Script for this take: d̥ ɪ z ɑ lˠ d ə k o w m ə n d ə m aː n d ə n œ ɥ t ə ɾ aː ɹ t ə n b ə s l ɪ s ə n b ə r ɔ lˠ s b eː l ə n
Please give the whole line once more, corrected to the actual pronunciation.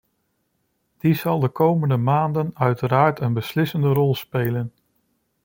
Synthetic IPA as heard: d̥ i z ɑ lˠ d ə k o w m ə n d ə m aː n d ə n œ ɥ t ə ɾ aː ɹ t ə n b ə s l ɪ s ə n d ə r ɔ lˠ s p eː l ə n